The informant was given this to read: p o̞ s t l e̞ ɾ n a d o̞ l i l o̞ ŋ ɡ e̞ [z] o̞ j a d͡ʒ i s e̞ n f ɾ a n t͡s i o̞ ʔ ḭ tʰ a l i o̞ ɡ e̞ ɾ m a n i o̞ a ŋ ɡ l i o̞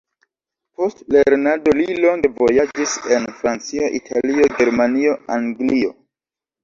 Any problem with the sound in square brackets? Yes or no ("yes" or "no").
yes